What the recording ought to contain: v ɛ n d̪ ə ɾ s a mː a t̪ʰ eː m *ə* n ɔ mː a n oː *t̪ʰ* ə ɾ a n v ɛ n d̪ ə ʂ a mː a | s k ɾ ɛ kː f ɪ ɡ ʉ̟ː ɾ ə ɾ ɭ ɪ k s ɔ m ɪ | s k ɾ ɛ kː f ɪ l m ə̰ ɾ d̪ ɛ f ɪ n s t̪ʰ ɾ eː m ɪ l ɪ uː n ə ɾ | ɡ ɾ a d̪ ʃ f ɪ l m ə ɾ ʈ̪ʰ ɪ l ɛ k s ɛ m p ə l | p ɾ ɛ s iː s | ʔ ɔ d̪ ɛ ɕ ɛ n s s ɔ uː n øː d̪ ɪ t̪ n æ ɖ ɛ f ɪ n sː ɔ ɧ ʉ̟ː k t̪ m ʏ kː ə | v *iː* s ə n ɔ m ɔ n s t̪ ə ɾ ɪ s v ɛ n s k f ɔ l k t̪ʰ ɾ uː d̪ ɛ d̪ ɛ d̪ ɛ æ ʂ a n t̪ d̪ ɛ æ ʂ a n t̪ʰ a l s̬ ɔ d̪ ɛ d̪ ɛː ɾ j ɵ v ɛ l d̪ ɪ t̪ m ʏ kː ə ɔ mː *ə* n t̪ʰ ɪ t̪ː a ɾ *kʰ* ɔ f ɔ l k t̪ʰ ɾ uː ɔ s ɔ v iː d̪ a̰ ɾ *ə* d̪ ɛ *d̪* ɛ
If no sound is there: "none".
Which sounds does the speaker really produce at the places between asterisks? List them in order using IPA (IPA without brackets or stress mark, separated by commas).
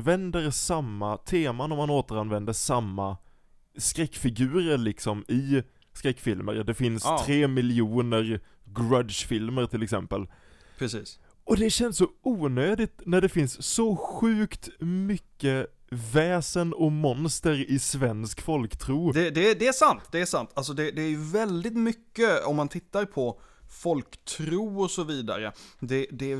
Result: a, t̪, ɛː, a, pʰ, ə, d̪